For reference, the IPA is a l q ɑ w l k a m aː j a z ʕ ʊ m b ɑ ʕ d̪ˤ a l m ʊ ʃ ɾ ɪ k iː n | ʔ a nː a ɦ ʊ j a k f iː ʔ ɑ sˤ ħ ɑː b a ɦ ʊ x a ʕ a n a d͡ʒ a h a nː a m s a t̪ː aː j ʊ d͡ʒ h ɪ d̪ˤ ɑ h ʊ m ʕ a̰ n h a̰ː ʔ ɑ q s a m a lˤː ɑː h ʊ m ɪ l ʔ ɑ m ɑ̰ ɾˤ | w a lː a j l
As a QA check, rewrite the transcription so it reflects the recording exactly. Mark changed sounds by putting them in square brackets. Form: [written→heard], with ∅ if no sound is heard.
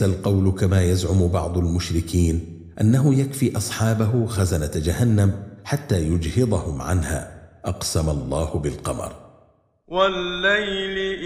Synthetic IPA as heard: a l q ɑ w l k a m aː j a z ʕ ʊ m b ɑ ʕ d̪ˤ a l m ʊ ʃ ɾ ɪ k iː n | ʔ a nː a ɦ ʊ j a k f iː ʔ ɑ sˤ ħ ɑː b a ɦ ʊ x a [ʕ→z] a n a d͡ʒ a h a nː a m [s→ħ] a t̪ː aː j ʊ d͡ʒ h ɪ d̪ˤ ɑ h ʊ m ʕ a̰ n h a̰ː ʔ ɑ q s a m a lˤː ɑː h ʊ [m→b] ɪ l [ʔ→q] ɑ m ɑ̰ ɾˤ | w a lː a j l